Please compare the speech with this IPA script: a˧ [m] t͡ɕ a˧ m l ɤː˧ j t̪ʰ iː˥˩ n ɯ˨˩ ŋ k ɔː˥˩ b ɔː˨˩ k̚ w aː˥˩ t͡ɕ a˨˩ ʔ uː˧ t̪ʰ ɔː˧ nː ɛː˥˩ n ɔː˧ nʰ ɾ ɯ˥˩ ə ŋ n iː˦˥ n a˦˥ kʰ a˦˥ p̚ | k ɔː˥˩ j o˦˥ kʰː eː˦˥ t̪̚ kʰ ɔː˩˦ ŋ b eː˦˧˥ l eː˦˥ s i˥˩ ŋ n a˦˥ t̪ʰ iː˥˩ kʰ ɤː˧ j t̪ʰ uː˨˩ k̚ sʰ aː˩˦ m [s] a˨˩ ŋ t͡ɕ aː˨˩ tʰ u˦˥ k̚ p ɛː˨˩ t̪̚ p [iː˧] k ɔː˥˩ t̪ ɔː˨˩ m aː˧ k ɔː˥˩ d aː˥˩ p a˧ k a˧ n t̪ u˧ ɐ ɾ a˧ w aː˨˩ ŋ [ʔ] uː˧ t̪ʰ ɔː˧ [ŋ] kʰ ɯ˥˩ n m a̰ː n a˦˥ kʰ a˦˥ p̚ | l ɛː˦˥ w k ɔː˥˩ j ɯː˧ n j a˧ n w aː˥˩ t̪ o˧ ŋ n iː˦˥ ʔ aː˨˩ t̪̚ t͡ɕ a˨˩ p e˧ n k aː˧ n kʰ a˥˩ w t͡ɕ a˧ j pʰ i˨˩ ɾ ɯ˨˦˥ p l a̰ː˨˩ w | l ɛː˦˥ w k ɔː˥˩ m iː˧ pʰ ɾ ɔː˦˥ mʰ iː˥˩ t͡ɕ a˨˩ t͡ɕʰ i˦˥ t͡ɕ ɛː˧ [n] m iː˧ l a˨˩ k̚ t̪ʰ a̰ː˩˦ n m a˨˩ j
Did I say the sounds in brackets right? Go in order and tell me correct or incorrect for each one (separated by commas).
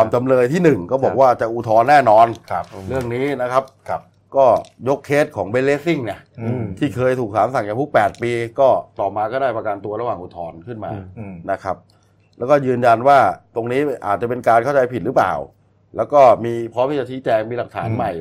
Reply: correct, correct, correct, correct, incorrect, incorrect